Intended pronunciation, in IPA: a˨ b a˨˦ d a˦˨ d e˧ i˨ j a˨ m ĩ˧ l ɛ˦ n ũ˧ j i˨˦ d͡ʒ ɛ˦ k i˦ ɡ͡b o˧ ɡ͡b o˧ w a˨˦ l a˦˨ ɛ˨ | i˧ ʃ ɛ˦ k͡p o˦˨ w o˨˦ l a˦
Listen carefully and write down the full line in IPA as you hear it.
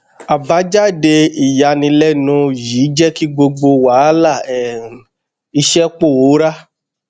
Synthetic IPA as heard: a˨ b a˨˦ d͡ʒ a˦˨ d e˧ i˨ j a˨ n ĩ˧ l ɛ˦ n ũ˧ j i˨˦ d͡ʒ ɛ˦ k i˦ ɡ͡b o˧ ɡ͡b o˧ w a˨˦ l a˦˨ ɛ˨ | i˧ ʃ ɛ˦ k͡p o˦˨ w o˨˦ ɾ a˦